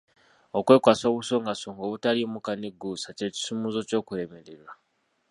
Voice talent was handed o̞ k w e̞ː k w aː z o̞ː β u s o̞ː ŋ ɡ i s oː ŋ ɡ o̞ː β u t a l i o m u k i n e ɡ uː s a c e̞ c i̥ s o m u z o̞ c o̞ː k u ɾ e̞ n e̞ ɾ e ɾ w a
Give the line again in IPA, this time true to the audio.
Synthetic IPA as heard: o̞ k w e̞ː k w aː s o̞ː β u s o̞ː ŋ ɡ a s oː ŋ ɡ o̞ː β u t a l i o m u k a n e ɡ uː s a c e̞ c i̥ s u m u z o̞ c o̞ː k u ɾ e̞ m e̞ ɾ e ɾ w a